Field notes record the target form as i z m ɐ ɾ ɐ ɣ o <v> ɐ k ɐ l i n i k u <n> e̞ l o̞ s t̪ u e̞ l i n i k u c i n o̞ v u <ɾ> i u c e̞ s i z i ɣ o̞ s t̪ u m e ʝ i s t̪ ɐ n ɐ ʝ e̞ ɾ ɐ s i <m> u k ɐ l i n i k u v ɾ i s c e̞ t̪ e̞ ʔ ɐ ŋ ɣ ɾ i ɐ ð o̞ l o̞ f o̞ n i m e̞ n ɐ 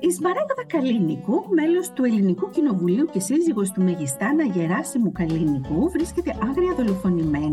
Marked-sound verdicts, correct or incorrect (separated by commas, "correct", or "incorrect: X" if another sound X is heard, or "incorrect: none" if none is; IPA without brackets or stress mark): incorrect: ð, incorrect: m, incorrect: l, correct